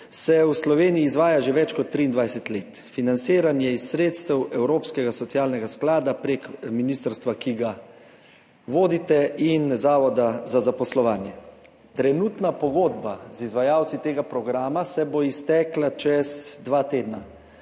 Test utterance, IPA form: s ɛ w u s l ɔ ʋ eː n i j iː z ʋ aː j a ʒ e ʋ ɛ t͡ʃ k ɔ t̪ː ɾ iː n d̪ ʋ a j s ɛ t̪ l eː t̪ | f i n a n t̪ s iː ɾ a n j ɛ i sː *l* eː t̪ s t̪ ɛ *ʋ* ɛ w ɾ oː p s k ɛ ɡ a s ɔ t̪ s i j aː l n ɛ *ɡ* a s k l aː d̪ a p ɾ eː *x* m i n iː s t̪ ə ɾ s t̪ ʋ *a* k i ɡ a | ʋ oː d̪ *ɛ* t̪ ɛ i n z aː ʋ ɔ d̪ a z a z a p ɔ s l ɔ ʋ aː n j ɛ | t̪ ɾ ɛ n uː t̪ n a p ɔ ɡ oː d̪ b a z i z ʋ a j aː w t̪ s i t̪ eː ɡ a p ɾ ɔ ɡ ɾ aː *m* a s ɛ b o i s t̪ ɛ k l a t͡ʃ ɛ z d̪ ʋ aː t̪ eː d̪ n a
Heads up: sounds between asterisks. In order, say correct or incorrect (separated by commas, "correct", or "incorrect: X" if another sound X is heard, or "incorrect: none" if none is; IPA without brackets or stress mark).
incorrect: ɾ, incorrect: w, correct, incorrect: k, correct, incorrect: i, correct